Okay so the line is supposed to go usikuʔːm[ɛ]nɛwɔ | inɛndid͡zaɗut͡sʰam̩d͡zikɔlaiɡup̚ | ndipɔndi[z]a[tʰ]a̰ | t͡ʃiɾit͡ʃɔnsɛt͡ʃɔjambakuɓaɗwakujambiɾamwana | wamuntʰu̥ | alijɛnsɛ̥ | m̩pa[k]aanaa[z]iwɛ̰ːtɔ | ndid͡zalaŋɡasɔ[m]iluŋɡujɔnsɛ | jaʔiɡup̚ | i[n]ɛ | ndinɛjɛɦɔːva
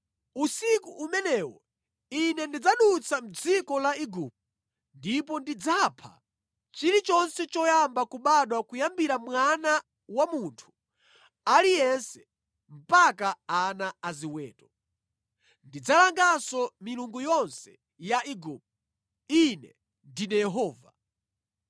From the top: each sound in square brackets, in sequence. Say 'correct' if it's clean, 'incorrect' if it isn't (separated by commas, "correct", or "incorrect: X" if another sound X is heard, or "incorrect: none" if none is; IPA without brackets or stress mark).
correct, incorrect: d͡z, incorrect: pʰ, correct, correct, correct, correct